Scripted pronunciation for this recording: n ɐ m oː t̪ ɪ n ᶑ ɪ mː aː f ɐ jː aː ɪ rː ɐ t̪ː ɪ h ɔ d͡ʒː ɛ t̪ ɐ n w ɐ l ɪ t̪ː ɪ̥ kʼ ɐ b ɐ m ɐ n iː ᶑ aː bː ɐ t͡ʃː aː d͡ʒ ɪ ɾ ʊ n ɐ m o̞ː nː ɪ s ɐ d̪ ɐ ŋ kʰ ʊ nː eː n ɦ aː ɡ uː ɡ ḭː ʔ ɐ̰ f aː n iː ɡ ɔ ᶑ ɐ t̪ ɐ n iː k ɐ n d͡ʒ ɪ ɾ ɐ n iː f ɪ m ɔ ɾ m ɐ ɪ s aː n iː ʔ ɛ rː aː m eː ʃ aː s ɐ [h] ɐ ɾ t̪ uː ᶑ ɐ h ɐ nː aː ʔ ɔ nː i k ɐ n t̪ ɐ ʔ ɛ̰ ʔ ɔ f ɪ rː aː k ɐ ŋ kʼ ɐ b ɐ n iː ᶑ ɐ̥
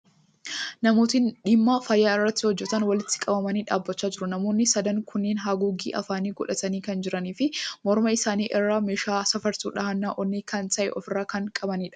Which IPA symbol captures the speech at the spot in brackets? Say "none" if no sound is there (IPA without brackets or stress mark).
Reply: f